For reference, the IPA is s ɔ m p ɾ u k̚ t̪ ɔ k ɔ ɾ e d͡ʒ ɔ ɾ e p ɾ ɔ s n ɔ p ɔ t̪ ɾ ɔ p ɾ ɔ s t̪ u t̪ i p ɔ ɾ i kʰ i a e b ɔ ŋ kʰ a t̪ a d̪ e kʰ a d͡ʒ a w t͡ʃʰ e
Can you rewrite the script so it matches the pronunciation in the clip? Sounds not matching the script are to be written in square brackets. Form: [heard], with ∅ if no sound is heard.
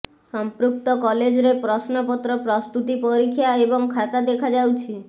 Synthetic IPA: s ɔ m p ɾ u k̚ t̪ ɔ k ɔ [l] e d͡ʒ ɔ ɾ e p ɾ ɔ s n ɔ p ɔ t̪ ɾ ɔ p ɾ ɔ s t̪ u t̪ i p ɔ ɾ i kʰ [j] a e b ɔ ŋ kʰ a t̪ a d̪ e kʰ a d͡ʒ a w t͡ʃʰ [i]